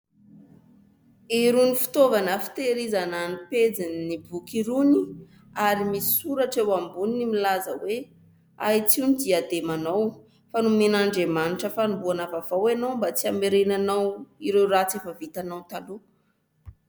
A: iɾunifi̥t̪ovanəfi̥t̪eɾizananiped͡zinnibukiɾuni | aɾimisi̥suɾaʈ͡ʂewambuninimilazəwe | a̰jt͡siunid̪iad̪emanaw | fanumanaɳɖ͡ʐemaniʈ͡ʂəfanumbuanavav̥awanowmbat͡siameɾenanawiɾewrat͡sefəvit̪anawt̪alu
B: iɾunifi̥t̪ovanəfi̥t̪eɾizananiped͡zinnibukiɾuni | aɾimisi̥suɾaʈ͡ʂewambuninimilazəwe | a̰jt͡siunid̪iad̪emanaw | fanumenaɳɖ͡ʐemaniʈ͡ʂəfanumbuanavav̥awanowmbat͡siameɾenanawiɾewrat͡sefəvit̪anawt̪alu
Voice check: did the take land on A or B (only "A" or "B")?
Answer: B